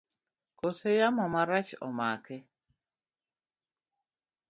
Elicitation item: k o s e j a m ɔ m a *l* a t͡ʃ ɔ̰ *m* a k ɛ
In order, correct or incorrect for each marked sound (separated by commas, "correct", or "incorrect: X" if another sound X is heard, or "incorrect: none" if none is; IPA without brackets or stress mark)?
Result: incorrect: ɾ, correct